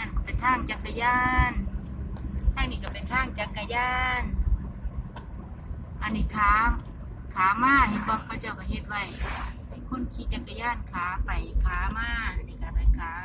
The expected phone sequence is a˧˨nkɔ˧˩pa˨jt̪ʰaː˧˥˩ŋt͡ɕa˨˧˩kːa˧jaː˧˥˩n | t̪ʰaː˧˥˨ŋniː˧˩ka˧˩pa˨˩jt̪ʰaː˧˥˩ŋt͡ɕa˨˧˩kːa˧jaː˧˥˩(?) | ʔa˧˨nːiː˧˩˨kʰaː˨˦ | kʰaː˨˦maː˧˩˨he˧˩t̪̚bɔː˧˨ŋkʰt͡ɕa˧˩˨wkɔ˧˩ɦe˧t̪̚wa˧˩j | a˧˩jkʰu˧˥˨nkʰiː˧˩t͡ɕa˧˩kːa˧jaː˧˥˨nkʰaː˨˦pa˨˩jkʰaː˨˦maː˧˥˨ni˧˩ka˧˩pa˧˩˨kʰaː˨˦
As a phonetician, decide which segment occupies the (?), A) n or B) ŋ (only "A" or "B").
A